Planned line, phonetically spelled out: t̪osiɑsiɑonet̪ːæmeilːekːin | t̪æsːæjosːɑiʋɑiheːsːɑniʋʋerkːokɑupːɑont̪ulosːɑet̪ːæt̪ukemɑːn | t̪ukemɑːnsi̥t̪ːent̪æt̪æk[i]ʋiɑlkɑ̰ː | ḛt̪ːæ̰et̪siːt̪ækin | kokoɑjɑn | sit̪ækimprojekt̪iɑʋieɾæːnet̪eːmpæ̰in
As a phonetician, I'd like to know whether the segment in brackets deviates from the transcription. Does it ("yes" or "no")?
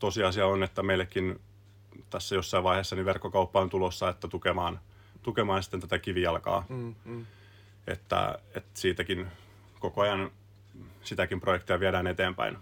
no